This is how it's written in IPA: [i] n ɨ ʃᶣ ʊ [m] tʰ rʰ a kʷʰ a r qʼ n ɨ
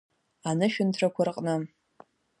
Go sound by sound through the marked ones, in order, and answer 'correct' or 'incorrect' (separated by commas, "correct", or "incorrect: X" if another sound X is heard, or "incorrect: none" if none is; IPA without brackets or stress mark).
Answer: incorrect: a, incorrect: n